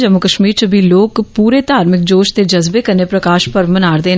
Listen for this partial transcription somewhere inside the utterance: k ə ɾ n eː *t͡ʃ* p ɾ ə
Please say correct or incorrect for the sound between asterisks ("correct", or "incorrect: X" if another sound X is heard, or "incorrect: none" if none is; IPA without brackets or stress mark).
incorrect: none